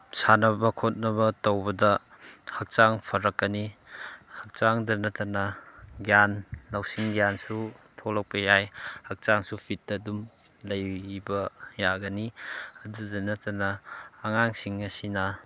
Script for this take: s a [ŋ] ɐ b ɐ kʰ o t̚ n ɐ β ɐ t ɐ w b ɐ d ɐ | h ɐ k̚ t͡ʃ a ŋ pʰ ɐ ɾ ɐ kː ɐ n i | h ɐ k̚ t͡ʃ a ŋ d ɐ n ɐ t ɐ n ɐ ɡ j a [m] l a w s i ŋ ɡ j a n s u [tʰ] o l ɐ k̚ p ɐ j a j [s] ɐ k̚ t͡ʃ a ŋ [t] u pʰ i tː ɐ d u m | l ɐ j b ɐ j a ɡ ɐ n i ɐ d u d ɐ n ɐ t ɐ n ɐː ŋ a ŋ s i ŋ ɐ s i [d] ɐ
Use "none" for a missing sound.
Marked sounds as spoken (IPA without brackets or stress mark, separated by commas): n, n, tʰ, h, s, n